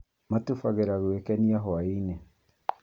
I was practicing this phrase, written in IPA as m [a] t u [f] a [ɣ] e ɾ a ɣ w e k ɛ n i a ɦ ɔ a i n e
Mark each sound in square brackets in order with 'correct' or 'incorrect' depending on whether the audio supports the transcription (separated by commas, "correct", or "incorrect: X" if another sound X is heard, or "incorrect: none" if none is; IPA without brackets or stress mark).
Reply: correct, correct, correct